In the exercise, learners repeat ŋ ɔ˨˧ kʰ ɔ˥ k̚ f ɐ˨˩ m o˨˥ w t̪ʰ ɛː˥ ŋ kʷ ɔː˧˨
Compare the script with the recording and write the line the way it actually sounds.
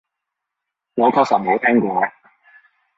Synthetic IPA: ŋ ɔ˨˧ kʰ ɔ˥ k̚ s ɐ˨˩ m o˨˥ w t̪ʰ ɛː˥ ŋ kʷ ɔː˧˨